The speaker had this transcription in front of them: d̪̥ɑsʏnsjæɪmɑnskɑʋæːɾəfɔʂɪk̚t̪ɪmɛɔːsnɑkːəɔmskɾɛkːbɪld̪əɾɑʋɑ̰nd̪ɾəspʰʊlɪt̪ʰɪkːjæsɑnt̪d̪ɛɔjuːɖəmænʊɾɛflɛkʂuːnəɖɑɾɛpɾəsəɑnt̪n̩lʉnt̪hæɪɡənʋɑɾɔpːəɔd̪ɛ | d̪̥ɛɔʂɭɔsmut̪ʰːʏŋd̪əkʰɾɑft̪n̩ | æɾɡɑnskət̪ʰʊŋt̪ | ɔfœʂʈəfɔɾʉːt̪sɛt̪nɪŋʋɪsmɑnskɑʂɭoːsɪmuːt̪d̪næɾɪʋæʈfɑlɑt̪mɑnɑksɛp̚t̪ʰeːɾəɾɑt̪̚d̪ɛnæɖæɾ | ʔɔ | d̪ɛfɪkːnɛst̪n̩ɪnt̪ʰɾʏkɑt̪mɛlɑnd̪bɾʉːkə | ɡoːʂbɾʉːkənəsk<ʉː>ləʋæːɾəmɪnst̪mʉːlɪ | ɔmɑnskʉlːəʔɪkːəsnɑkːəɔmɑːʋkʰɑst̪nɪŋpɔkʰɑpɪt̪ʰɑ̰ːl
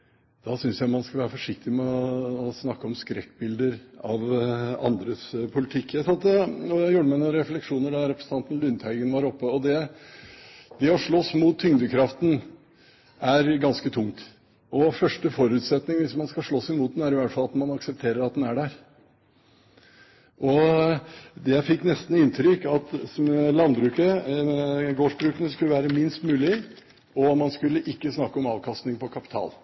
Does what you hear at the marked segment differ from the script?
yes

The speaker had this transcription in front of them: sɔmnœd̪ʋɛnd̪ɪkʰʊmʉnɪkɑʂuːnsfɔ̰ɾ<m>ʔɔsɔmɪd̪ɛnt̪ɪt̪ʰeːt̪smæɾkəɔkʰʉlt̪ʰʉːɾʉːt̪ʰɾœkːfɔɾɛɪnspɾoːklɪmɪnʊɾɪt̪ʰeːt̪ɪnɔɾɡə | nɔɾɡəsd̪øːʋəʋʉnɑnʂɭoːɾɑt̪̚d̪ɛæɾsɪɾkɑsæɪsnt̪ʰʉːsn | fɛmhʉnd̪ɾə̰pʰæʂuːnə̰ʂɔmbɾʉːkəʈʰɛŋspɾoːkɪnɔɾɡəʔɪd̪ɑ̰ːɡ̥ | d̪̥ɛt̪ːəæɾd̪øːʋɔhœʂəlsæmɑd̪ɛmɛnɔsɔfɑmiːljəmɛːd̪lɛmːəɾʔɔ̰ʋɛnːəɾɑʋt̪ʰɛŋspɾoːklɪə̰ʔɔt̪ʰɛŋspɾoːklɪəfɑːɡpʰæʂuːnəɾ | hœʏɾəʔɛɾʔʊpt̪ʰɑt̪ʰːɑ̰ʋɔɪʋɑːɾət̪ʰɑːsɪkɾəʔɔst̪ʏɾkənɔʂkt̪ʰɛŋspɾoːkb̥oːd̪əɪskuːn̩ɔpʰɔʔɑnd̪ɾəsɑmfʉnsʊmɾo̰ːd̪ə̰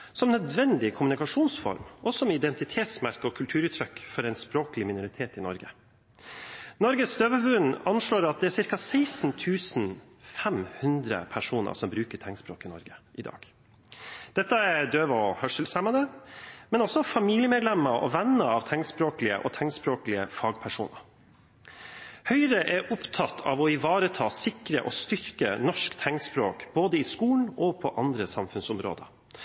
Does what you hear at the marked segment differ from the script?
no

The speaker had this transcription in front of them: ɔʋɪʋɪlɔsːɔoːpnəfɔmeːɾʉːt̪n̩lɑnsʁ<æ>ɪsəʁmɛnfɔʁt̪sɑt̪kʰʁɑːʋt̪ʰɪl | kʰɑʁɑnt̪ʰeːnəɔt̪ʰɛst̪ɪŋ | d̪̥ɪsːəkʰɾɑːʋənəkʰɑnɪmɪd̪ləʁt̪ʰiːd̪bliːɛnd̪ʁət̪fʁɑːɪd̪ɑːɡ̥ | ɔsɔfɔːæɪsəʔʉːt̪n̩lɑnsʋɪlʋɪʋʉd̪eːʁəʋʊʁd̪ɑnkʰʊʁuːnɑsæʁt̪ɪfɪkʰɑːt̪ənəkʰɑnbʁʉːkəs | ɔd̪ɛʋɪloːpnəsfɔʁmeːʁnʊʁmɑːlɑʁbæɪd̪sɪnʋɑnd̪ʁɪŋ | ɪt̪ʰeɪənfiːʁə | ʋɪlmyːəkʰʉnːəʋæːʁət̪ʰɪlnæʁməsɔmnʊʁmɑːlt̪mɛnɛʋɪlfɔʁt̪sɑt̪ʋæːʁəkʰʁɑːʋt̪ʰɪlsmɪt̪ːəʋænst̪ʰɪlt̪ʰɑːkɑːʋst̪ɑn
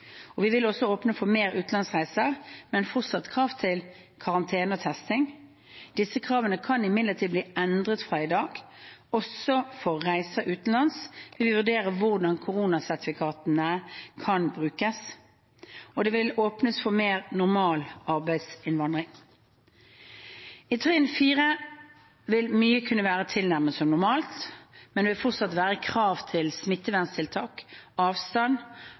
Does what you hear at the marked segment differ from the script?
no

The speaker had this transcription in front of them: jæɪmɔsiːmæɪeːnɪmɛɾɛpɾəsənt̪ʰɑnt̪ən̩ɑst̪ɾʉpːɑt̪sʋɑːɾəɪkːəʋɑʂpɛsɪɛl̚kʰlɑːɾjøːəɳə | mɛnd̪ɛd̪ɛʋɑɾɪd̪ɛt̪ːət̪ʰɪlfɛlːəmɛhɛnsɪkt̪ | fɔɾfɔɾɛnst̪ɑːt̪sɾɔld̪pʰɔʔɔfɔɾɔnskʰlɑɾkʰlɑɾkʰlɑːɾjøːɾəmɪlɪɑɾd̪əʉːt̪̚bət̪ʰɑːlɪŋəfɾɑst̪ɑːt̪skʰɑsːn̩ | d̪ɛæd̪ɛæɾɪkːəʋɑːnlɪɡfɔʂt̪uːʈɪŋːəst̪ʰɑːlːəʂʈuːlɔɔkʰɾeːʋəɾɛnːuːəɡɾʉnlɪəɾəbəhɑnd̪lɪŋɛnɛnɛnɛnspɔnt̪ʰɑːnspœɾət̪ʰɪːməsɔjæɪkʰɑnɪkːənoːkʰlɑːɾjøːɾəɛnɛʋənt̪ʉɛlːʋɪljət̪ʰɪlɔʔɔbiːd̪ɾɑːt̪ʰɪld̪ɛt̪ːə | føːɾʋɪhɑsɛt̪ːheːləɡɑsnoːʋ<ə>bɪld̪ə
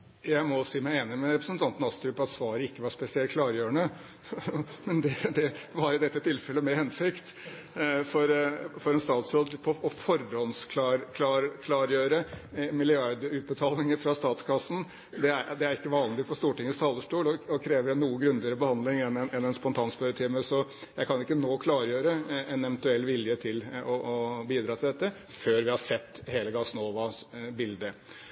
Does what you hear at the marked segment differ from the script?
yes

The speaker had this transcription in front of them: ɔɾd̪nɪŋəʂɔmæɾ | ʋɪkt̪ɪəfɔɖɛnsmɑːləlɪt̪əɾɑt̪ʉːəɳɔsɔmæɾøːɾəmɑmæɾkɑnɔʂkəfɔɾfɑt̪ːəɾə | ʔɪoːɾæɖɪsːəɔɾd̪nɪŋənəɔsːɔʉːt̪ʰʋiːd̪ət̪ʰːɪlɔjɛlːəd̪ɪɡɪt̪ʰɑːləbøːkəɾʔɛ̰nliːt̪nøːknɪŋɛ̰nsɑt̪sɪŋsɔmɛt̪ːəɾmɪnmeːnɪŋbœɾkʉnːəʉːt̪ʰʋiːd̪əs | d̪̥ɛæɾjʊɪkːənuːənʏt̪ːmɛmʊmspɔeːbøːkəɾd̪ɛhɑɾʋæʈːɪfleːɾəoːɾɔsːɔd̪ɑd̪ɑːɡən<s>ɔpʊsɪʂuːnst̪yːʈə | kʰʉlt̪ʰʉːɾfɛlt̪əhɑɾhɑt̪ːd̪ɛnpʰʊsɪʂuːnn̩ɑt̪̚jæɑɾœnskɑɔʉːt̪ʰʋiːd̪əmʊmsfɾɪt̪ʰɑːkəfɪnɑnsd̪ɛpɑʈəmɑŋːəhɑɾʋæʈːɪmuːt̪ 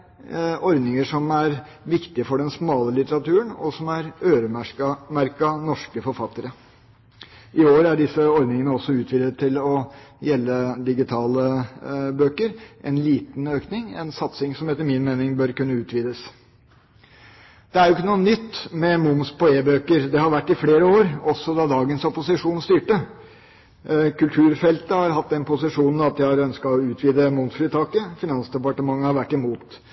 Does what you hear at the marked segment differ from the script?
no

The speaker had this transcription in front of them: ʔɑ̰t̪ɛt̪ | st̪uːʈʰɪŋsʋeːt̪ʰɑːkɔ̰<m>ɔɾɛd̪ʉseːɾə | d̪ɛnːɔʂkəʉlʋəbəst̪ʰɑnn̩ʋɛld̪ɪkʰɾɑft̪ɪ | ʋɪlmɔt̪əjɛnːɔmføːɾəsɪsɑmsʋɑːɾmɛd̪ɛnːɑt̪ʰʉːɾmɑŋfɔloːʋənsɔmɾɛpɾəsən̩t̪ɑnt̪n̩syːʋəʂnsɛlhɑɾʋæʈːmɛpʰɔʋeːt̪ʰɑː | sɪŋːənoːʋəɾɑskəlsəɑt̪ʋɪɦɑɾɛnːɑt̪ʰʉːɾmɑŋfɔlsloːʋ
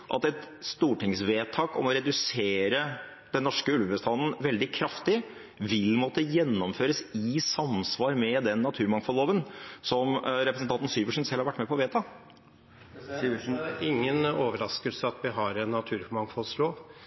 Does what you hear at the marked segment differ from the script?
no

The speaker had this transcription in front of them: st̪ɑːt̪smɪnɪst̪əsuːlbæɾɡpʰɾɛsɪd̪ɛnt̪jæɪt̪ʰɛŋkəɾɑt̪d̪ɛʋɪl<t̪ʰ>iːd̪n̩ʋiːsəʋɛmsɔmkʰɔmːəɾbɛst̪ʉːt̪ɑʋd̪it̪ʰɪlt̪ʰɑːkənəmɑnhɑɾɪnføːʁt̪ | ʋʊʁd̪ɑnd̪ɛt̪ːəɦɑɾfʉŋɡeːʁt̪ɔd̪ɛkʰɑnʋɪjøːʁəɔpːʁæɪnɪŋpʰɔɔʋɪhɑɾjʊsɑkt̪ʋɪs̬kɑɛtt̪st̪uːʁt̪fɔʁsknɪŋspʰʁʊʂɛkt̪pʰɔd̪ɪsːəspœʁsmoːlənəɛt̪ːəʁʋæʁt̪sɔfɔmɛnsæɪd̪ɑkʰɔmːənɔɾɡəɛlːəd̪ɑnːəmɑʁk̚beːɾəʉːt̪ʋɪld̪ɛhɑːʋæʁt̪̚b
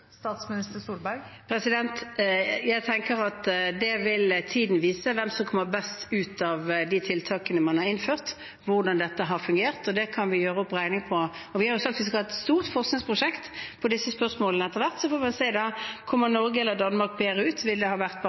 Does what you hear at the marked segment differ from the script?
no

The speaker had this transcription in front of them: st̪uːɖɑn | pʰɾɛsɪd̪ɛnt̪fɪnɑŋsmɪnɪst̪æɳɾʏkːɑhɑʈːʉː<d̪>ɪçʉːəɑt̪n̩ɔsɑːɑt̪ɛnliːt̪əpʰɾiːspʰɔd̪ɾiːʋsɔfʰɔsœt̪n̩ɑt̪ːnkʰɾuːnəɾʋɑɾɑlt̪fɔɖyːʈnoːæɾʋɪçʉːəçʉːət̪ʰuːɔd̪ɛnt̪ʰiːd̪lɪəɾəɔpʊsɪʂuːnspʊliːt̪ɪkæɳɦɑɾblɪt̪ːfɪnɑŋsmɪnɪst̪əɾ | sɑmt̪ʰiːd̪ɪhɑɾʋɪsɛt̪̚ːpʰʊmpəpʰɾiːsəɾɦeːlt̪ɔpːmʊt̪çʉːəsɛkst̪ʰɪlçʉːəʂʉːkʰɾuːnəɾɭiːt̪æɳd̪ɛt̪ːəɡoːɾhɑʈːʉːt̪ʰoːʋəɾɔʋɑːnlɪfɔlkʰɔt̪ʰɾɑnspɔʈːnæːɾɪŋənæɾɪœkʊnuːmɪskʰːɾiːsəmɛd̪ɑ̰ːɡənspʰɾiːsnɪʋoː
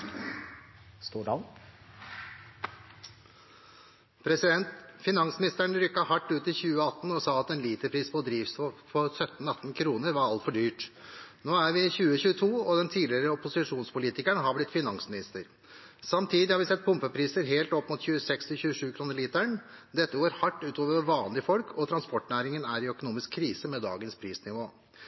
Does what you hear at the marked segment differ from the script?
yes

